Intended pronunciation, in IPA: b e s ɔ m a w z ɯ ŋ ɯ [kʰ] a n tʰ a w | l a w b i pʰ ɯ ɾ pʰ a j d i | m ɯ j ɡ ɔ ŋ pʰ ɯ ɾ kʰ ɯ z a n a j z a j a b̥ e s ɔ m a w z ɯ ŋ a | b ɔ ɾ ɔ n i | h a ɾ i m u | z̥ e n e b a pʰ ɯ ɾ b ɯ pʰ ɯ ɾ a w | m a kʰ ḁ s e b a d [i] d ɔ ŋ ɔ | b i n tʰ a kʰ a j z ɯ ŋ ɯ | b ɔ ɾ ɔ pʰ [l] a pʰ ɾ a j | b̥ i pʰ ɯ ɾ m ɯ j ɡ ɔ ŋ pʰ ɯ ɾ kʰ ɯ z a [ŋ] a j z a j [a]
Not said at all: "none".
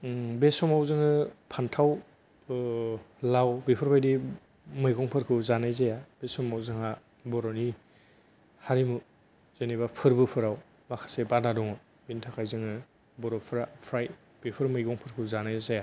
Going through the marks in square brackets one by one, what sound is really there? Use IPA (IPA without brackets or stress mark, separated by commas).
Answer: pʰ, a, ɾ, n, a